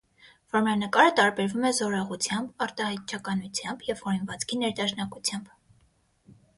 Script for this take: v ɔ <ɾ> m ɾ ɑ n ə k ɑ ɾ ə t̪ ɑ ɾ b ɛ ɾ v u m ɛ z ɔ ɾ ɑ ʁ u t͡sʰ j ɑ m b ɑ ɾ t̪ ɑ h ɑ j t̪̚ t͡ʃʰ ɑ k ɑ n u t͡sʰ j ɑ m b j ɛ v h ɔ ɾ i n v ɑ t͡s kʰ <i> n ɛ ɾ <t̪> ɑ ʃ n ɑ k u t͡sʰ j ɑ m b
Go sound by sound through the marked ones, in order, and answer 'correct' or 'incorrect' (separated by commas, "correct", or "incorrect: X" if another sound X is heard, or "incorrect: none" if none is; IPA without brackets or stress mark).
correct, correct, incorrect: d̪